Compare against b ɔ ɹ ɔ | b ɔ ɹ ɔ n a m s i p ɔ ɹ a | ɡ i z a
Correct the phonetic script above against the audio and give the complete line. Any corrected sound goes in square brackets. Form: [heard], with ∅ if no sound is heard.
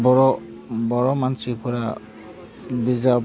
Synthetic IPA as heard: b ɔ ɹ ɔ | b ɔ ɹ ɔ [m] a [n] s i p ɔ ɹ a | [b] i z a